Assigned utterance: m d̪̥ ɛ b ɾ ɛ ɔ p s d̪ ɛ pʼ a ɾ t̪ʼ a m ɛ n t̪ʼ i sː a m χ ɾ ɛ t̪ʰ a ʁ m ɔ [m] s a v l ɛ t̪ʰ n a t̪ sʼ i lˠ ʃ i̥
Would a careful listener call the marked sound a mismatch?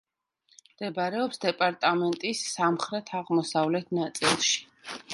yes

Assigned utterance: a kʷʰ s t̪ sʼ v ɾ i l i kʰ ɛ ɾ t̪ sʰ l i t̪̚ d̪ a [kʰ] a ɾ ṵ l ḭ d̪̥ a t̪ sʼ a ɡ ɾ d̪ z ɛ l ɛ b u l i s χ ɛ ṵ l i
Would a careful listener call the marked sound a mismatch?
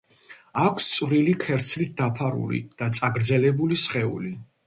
yes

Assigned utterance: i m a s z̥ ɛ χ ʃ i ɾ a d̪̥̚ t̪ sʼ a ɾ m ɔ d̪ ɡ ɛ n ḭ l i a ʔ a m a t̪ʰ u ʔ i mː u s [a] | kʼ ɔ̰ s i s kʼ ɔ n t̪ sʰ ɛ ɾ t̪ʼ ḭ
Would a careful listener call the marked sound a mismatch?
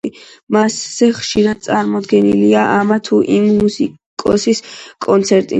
yes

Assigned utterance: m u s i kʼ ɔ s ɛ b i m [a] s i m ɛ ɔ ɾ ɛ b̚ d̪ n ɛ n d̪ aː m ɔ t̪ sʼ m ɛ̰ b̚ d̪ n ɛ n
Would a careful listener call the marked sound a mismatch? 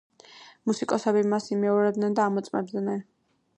no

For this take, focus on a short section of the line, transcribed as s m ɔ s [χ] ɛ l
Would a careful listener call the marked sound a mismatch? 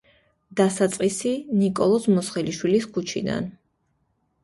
no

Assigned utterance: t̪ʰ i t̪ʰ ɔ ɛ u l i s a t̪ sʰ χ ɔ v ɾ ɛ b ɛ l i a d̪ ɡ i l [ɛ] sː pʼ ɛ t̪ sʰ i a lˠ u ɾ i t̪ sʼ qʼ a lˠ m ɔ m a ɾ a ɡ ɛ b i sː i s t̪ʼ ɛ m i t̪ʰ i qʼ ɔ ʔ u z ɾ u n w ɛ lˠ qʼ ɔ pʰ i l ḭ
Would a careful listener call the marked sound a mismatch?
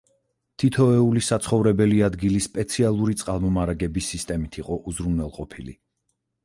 yes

